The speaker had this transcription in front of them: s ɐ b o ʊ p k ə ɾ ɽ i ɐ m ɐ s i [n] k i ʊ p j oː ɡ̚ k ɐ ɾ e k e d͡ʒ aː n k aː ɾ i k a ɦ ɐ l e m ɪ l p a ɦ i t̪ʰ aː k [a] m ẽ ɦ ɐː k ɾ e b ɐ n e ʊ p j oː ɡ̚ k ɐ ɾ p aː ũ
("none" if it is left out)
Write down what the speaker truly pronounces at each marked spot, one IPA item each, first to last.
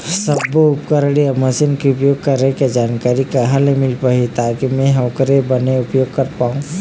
n, i

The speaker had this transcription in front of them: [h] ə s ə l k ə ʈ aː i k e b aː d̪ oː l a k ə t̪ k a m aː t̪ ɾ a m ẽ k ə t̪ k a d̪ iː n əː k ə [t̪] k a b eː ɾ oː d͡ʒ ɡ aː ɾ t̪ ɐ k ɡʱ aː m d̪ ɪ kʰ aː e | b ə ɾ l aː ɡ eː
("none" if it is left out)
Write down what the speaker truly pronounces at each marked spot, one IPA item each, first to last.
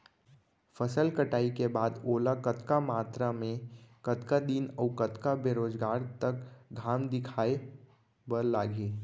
f, t̪

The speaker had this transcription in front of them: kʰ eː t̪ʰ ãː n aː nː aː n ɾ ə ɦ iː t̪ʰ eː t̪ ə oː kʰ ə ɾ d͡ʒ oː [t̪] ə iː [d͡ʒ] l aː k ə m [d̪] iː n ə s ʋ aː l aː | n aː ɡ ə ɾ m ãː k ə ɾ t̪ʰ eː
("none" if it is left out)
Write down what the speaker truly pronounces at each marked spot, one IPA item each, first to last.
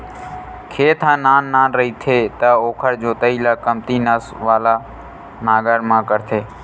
t̪, none, t̪

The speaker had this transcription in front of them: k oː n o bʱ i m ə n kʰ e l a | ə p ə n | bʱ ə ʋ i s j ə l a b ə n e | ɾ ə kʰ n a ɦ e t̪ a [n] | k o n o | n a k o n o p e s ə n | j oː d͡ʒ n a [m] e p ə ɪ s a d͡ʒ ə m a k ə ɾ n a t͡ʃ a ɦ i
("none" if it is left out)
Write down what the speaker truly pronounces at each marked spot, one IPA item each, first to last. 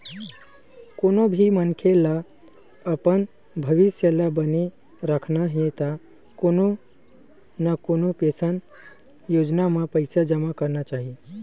none, m

